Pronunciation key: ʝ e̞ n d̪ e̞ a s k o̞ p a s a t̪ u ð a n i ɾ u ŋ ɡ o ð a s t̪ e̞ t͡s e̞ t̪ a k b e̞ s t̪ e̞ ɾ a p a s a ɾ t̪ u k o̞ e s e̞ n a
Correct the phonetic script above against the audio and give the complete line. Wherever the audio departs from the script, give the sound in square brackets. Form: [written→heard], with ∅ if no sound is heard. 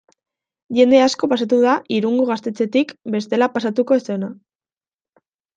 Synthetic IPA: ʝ e̞ n d̪ e̞ a s k o̞ p a s a t̪ u ð a [n→∅] i ɾ u ŋ ɡ o [ð→ɣ] a s t̪ e̞ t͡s e̞ t̪ [a→i] k b e̞ s t̪ e̞ [ɾ→l] a p a s a [ɾ→∅] t̪ u k o̞ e s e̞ n a